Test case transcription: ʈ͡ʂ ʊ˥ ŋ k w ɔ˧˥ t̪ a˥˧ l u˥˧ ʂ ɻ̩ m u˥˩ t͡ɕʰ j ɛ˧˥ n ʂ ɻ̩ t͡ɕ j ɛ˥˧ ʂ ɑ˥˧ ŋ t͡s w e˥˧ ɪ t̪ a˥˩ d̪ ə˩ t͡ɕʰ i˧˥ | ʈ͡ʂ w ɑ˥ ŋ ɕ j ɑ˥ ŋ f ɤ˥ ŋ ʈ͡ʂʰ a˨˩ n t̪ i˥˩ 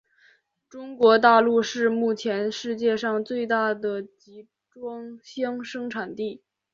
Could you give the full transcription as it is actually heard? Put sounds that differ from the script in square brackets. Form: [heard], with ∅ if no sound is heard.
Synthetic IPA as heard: ʈ͡ʂ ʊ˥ ŋ k w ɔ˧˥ t̪ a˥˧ l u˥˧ ʂ ɻ̩ m u˥˩ t͡ɕʰ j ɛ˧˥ n ʂ ɻ̩ t͡ɕ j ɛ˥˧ ʂ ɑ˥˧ ŋ t͡s w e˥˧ ɪ t̪ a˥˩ d̪ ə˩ [t͡ɕ] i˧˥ | ʈ͡ʂ w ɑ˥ ŋ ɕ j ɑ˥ ŋ [ʂ] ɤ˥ ŋ ʈ͡ʂʰ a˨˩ n t̪ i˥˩